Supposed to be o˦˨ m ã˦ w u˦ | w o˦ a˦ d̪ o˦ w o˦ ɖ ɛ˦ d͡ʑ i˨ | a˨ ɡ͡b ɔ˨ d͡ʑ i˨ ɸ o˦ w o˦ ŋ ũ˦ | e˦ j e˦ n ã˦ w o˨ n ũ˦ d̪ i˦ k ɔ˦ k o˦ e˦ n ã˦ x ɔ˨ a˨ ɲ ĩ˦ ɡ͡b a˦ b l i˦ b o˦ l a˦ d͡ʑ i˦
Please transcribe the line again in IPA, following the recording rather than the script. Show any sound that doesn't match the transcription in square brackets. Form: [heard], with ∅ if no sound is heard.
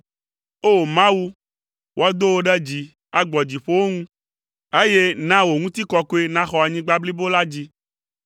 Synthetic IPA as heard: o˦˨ m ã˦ w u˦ | w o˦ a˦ d̪ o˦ w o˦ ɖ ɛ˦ d͡ʑ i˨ | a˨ ɡ͡b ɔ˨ d͡ʑ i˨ ɸ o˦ w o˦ ŋ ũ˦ | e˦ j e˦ n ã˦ w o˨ [ŋ] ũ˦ [t̪] i˦ k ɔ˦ k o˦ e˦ n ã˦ x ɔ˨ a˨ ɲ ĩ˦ ɡ͡b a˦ b l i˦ b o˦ l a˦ d͡ʑ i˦